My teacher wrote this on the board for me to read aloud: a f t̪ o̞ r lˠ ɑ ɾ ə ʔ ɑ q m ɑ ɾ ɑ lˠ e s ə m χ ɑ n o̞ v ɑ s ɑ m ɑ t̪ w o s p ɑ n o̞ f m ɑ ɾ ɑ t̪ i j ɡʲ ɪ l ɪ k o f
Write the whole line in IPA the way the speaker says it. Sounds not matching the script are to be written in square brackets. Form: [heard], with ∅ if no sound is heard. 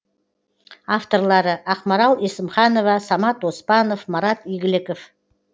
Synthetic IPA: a f t̪ o̞ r lˠ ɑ ɾ ə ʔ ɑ q m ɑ ɾ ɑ lˠ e s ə m χ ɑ n o̞ v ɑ s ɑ m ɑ t̪ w o s p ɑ n o̞ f m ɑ ɾ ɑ t̪ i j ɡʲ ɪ l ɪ k o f